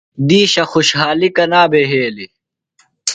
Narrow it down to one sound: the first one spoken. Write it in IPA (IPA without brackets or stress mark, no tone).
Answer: d̪